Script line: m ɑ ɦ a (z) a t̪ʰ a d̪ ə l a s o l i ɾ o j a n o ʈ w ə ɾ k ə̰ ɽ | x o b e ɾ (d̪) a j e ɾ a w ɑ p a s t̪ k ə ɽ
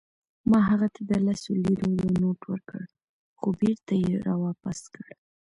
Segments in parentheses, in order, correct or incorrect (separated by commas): incorrect, incorrect